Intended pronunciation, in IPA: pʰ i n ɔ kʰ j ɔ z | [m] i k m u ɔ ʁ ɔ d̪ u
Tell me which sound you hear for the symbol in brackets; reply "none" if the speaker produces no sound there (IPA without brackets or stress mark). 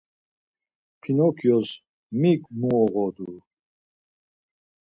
m